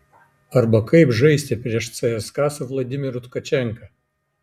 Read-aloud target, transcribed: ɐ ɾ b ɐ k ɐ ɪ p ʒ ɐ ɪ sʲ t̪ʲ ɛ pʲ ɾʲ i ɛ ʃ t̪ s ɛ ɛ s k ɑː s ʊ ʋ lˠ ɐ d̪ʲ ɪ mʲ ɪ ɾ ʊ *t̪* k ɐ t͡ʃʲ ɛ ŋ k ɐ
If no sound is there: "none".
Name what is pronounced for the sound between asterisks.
t̪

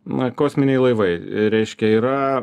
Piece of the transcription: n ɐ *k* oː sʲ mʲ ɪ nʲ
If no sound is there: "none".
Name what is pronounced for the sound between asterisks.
k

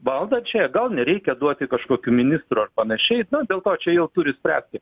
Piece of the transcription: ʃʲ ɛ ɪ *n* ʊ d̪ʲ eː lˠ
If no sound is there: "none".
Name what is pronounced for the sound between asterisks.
n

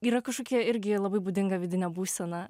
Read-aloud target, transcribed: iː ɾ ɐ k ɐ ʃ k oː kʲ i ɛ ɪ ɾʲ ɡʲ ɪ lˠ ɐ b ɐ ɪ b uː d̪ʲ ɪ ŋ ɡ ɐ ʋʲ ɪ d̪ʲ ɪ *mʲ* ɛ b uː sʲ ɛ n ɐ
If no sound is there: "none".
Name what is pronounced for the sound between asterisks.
nʲ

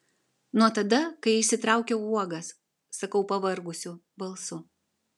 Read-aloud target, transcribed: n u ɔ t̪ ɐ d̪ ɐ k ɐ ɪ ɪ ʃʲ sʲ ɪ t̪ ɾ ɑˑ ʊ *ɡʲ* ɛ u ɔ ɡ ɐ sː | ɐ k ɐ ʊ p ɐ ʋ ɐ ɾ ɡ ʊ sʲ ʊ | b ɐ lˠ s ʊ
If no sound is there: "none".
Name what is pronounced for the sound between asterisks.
kʲ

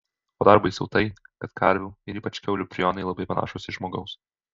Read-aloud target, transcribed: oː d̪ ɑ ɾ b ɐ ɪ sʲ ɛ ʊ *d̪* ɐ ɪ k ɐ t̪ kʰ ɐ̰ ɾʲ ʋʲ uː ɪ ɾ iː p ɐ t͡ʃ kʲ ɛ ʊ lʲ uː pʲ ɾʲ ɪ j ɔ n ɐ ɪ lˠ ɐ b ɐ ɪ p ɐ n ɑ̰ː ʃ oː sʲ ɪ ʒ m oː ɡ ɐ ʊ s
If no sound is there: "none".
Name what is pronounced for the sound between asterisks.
t̪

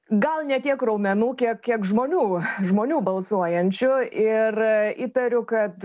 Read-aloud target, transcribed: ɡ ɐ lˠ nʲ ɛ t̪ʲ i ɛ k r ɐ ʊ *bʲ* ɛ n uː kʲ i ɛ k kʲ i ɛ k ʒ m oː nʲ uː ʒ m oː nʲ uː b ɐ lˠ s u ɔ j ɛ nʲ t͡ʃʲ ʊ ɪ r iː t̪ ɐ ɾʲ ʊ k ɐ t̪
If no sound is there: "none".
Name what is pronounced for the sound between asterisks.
mʲ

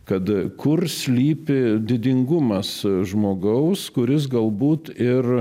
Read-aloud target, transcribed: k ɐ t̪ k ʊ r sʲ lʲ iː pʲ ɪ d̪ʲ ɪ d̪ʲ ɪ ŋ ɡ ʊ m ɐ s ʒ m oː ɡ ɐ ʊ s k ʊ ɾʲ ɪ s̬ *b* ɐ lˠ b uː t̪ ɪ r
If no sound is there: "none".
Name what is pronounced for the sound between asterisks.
ɡ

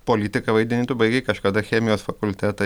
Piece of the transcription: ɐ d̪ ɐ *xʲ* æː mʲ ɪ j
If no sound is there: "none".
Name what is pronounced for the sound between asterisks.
xʲ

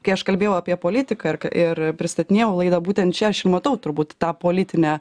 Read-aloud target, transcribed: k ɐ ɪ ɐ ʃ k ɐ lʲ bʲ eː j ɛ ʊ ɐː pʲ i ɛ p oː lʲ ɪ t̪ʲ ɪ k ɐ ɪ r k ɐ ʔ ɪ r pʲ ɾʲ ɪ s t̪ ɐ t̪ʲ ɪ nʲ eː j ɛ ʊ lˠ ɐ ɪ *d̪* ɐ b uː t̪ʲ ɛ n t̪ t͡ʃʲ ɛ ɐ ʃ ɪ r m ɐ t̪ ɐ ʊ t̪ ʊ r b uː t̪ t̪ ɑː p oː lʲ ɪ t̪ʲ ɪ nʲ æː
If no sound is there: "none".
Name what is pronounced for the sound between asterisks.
d̪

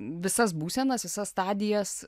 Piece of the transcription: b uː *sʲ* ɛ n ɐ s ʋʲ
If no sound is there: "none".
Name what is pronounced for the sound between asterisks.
sʲ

